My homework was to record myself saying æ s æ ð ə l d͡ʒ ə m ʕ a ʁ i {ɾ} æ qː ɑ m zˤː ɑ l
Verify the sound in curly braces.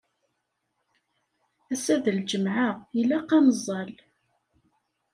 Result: incorrect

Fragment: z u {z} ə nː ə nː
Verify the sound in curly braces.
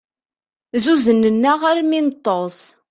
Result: correct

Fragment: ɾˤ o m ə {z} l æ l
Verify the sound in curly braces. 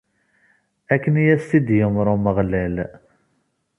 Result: incorrect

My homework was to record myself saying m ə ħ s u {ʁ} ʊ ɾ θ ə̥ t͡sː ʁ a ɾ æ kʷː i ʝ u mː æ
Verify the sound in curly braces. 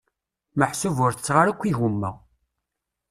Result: incorrect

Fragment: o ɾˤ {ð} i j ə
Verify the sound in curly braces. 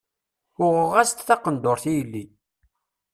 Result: incorrect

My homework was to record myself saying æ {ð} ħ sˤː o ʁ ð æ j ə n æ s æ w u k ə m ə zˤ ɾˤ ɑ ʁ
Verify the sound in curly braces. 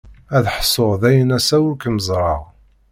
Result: correct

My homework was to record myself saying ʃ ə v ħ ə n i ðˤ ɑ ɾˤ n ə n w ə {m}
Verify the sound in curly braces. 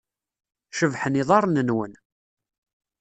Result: incorrect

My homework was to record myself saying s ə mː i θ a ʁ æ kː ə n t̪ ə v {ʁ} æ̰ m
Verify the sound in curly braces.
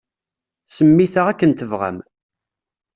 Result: correct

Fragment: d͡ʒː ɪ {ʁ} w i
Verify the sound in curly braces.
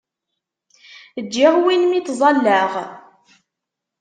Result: correct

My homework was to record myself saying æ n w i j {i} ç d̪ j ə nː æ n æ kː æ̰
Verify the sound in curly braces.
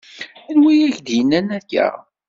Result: incorrect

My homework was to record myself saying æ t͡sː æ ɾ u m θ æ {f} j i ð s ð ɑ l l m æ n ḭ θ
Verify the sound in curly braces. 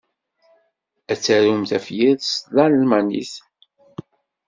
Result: correct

